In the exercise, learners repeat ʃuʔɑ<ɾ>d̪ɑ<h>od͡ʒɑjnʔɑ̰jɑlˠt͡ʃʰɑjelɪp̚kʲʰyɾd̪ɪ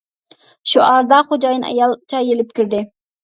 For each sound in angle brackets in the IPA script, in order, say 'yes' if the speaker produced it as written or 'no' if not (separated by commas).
yes, no